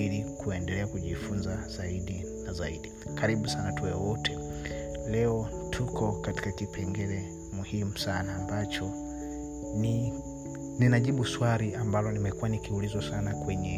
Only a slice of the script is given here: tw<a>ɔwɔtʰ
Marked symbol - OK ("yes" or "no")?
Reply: no